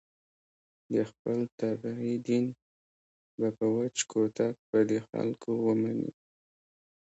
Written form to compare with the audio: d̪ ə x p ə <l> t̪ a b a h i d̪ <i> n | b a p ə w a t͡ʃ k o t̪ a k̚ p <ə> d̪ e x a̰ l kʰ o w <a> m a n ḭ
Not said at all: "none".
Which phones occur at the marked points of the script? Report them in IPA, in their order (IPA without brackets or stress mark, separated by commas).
l, i, ə, ə